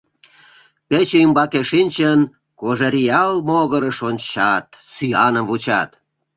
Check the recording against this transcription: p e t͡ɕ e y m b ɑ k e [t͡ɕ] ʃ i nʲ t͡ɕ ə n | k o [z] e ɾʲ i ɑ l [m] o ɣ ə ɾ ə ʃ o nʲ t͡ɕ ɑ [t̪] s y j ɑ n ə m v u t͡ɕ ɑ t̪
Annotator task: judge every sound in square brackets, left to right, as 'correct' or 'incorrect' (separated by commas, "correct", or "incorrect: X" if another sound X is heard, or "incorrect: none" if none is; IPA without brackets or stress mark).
incorrect: none, incorrect: ʒ, correct, correct